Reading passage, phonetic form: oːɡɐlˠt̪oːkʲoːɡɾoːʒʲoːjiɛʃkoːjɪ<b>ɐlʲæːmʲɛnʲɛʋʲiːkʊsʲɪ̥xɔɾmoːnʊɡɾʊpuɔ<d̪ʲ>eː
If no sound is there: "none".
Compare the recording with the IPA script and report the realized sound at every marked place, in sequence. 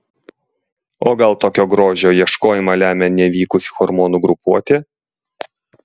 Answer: m, t̪ʲ

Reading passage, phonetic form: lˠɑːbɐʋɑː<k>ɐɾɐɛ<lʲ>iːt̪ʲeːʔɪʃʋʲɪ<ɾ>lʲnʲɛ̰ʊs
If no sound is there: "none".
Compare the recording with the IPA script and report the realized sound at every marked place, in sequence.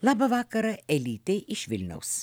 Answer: k, lʲ, none

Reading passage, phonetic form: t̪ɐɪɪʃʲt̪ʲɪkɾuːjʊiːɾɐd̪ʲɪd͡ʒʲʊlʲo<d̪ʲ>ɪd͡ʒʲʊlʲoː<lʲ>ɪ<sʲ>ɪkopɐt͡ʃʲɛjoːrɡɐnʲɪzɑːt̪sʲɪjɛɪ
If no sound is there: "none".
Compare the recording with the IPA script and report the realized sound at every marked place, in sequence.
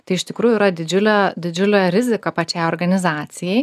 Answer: d̪ʲ, ɾʲ, zʲ

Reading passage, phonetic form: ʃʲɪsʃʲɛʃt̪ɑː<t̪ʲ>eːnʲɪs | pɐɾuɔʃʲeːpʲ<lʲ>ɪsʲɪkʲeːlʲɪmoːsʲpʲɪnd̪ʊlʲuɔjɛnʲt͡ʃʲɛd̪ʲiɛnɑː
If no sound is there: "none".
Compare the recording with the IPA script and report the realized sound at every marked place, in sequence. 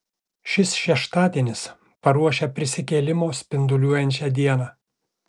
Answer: d̪ʲ, ɾʲ

